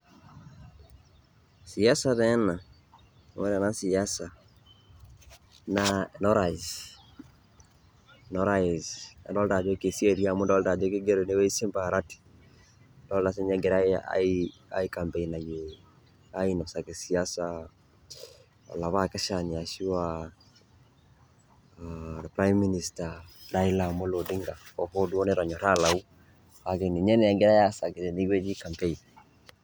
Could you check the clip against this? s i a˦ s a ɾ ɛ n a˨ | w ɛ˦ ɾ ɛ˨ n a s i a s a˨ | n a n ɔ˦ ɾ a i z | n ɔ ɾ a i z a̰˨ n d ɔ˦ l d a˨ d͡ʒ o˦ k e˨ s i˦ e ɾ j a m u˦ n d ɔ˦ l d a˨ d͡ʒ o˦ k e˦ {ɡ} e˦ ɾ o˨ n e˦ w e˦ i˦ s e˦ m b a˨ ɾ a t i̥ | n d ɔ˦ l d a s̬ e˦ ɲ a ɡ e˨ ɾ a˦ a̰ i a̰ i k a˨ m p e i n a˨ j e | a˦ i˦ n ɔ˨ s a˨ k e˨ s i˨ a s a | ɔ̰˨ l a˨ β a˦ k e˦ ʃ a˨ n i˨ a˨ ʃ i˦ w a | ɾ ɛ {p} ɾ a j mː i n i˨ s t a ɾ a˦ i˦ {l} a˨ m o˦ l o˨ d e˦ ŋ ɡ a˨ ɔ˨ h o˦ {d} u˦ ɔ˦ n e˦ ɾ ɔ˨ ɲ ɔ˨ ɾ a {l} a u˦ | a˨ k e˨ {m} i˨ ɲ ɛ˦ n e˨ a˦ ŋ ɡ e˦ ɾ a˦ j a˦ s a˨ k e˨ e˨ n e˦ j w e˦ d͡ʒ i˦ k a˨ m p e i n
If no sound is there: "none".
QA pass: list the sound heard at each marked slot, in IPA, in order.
ɡ, p, l, d, l, n

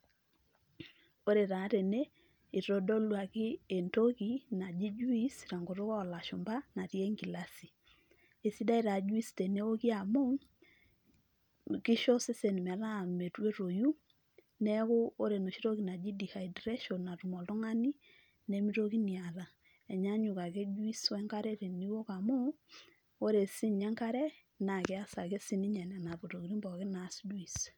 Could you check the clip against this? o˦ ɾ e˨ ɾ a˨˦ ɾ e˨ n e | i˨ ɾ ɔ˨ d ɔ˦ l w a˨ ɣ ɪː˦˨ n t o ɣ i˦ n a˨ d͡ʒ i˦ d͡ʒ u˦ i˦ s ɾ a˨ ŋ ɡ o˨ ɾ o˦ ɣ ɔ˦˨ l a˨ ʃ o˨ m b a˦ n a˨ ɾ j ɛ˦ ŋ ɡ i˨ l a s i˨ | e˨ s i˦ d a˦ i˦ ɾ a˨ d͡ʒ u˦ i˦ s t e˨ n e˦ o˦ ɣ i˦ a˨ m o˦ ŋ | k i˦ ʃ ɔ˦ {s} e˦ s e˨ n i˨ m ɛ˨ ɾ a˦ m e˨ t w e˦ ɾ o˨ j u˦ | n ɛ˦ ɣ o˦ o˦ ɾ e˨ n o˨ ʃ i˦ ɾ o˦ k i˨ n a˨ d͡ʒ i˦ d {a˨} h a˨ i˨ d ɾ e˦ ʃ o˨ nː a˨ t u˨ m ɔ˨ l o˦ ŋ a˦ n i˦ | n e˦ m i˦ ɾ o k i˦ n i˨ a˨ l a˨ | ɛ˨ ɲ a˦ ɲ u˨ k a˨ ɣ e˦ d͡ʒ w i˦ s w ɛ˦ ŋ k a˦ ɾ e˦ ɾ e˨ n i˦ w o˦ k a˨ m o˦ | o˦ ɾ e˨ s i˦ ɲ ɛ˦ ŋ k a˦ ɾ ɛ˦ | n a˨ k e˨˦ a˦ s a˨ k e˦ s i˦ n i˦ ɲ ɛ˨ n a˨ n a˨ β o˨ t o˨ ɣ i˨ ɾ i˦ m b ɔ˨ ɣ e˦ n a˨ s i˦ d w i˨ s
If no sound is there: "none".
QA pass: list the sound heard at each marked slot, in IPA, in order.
s, i˨

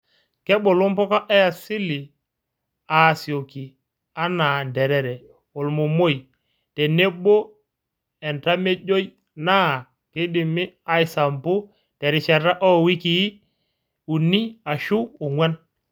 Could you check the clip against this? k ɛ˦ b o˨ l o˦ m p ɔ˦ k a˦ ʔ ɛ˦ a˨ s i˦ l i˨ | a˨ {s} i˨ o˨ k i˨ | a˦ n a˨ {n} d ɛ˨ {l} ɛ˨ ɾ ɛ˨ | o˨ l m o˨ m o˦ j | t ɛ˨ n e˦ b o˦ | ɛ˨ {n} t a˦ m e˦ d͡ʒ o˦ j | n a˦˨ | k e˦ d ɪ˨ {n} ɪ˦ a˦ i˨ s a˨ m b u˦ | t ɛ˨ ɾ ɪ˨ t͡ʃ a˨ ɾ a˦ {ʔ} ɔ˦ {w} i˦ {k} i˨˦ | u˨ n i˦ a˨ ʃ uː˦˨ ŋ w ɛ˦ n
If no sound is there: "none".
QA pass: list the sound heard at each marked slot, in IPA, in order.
s, n, ɾ, n, m, ʔ, w, k

